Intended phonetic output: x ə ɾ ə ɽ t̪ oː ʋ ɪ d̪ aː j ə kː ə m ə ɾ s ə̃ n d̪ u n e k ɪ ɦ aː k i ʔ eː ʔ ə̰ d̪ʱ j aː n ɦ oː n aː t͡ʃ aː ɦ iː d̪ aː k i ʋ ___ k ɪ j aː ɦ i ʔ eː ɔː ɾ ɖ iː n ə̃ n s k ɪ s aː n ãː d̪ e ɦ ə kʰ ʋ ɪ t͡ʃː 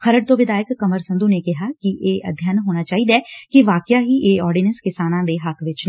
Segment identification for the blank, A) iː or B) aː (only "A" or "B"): B